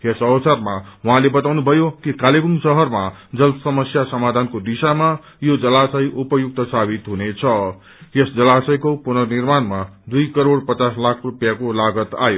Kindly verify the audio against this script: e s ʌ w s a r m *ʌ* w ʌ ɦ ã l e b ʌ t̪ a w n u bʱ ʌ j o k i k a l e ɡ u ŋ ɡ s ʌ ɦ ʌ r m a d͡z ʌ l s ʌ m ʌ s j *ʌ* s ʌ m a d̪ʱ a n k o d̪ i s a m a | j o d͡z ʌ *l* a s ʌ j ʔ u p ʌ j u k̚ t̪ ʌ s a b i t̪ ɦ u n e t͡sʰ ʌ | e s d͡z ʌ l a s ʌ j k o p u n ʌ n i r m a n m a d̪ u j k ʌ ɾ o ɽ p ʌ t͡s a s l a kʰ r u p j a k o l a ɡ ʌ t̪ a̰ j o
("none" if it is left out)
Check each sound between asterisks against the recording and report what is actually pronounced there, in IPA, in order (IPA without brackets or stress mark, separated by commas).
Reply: a, a, l